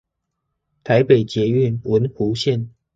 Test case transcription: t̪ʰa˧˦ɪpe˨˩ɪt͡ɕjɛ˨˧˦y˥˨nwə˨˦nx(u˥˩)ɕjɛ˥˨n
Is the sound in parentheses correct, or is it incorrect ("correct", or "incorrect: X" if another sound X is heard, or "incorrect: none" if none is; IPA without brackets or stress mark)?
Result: incorrect: u˨˦